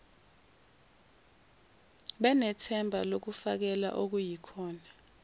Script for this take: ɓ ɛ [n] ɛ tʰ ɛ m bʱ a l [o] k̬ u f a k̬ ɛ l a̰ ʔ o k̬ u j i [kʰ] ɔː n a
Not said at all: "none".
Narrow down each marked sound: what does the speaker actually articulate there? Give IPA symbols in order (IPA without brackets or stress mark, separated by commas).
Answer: n, o, kʰ